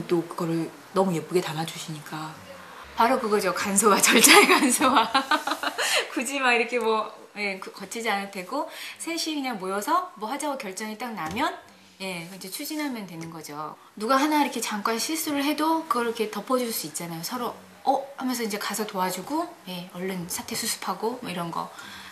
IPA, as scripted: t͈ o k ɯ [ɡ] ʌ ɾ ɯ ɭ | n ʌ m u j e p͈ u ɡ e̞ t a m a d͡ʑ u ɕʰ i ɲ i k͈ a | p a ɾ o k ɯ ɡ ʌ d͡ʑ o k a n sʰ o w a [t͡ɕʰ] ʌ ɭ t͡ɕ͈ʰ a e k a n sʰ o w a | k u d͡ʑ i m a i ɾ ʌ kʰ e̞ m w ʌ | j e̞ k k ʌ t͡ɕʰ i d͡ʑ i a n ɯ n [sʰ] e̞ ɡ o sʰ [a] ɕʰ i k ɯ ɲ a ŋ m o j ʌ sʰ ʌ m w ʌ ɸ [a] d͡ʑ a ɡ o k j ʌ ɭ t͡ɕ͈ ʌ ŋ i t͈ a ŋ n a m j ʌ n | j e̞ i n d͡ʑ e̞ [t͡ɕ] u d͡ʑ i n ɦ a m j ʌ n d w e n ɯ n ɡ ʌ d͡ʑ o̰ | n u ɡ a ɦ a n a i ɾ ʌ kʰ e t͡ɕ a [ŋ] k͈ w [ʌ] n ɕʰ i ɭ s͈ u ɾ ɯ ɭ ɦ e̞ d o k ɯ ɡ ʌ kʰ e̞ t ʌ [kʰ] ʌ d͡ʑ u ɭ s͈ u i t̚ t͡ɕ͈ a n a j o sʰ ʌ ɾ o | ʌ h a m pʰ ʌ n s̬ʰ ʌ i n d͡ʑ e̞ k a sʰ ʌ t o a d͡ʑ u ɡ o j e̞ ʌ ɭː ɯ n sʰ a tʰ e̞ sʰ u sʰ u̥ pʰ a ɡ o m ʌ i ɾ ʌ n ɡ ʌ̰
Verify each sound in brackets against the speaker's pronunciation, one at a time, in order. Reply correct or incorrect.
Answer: correct, incorrect: t͡ɕ, incorrect: tʰ, incorrect: e, correct, incorrect: t͡ɕʰ, correct, incorrect: a, incorrect: pʰ

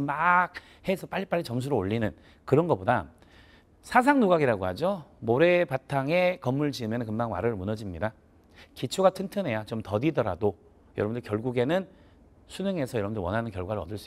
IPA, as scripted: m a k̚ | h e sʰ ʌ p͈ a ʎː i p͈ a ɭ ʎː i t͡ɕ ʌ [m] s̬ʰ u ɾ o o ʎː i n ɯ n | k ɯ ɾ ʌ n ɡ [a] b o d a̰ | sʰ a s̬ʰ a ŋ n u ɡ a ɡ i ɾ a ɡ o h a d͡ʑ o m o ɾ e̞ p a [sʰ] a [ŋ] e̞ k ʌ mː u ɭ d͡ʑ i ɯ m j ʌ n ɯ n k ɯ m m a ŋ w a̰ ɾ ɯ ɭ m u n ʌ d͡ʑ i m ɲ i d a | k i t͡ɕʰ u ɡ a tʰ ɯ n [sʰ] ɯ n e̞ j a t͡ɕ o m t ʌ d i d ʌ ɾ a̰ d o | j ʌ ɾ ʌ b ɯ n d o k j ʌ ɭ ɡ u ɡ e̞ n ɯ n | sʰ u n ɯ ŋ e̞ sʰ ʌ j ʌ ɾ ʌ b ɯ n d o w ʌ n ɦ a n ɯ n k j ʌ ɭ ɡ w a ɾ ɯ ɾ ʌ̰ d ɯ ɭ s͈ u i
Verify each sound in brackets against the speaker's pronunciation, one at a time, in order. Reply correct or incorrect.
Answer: correct, incorrect: ʌ, incorrect: tʰ, correct, incorrect: tʰ

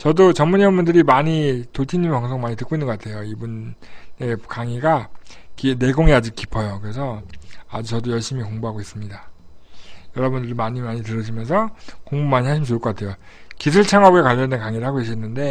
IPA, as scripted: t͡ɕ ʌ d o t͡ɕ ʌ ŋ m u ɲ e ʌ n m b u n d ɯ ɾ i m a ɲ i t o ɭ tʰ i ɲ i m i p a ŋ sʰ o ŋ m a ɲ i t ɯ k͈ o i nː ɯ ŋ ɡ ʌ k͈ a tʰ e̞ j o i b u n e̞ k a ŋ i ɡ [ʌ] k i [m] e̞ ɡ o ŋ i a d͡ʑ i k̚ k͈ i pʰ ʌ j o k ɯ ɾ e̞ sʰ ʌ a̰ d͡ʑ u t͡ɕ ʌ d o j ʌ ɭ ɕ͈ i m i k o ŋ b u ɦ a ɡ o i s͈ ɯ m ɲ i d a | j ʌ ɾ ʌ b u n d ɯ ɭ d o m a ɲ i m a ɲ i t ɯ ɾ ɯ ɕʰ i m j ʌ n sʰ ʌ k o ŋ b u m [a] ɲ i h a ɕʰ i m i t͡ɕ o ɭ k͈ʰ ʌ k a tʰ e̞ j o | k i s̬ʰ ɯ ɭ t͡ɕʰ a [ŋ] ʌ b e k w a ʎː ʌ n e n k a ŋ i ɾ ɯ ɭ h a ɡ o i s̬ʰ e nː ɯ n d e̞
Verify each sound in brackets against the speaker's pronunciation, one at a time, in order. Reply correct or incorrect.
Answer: incorrect: a, incorrect: n, correct, correct

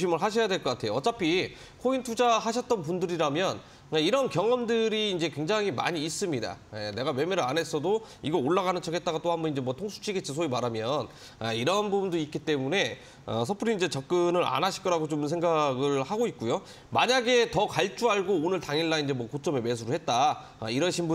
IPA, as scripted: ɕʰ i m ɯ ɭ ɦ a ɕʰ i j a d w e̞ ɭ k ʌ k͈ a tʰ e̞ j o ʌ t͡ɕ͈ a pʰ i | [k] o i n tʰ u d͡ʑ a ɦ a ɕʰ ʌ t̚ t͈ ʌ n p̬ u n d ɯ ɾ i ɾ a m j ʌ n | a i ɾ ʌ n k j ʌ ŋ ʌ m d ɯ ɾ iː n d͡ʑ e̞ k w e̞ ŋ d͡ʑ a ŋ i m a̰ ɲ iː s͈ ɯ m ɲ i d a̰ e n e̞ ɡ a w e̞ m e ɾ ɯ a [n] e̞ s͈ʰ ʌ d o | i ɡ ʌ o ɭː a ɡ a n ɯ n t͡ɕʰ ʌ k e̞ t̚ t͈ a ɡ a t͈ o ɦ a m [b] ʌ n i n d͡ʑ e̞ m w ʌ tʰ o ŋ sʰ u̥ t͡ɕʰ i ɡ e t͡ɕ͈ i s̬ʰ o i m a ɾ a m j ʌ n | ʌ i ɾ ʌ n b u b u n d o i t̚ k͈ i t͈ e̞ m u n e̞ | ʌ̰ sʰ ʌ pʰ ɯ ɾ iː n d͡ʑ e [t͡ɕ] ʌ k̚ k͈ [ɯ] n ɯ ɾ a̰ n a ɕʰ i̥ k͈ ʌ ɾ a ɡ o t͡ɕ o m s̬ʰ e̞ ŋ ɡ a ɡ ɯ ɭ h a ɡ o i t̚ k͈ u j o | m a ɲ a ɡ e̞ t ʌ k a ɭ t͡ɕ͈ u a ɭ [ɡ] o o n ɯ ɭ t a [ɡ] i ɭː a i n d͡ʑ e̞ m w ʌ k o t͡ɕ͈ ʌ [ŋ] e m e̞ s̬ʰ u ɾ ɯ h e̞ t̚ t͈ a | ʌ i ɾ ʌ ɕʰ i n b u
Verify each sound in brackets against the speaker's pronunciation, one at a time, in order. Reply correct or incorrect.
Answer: incorrect: kʰ, correct, correct, correct, correct, correct, incorrect: ŋ, incorrect: m

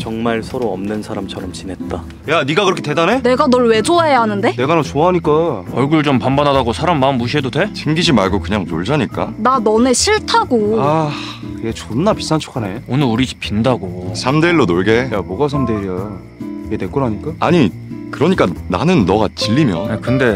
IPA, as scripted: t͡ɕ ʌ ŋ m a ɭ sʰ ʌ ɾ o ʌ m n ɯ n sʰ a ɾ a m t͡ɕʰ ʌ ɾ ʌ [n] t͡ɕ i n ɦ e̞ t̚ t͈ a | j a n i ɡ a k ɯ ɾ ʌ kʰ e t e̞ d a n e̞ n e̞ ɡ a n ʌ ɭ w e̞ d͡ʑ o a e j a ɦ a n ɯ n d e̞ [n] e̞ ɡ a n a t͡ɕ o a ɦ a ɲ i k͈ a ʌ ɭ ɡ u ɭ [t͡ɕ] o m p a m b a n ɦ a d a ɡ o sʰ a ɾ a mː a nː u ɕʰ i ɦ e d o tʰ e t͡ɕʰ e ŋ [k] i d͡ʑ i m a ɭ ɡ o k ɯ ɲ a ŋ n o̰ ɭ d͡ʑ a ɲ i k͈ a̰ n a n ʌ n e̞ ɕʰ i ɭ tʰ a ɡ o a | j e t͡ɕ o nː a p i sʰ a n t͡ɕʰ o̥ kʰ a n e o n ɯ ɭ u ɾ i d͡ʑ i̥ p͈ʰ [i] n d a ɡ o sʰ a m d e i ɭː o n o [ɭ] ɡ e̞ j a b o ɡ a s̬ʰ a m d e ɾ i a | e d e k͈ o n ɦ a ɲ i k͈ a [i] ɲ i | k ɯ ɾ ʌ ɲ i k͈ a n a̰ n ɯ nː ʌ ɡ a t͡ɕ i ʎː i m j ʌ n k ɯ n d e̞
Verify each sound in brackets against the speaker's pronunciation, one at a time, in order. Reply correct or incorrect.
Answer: incorrect: m, correct, correct, incorrect: ɡ, correct, correct, incorrect: a

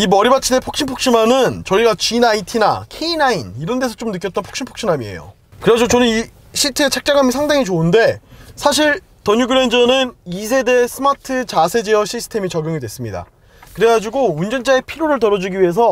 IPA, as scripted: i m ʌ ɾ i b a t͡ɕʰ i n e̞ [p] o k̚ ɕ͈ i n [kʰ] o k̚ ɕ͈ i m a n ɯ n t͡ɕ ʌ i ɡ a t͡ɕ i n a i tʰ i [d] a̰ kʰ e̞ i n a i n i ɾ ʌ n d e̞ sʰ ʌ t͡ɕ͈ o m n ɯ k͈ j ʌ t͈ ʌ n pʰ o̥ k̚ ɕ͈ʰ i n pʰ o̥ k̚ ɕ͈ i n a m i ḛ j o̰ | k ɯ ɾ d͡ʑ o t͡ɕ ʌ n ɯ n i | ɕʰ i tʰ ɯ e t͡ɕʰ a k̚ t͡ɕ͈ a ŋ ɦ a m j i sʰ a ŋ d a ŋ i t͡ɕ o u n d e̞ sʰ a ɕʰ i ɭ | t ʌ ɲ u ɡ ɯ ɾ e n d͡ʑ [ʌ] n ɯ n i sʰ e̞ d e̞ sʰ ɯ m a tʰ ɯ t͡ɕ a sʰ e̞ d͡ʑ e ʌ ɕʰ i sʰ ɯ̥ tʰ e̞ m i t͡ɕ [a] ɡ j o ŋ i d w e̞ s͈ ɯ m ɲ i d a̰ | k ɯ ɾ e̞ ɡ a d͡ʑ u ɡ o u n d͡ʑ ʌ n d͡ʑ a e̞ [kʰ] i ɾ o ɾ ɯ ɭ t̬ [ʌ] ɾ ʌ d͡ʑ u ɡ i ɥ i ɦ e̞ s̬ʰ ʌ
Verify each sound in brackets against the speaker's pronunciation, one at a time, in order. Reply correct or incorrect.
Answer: incorrect: pʰ, incorrect: pʰ, incorrect: n, correct, incorrect: ʌ, incorrect: pʰ, correct

